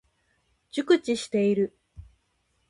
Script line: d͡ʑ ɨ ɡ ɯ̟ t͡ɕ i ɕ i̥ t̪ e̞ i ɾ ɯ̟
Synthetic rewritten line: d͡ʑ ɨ k ɯ̟ t͡ɕ i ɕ i̥ t̪ e̞ i ɾ ɯ̟